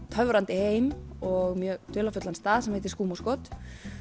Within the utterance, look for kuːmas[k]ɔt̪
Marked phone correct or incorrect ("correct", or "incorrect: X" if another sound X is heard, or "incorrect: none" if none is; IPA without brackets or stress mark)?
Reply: correct